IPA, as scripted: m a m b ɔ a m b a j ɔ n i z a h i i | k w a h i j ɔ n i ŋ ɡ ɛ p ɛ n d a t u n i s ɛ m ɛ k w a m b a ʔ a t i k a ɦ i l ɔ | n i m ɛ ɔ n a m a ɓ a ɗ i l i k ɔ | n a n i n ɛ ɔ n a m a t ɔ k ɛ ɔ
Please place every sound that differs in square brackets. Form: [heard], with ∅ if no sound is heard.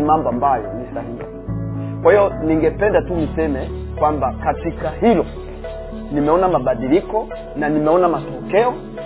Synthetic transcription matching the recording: m a m b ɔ a m b a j ɔ n i [s] a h i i | k w a h i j ɔ n i ŋ ɡ ɛ p ɛ n d a t u n i s ɛ m ɛ k w a m b a [k] a t i k a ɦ i l ɔ | n i m ɛ ɔ n a m a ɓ a ɗ i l i k ɔ | n a n i [m] ɛ ɔ n a m a t ɔ k ɛ ɔ